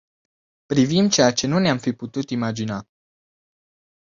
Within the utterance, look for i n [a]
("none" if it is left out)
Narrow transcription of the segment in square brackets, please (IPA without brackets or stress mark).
a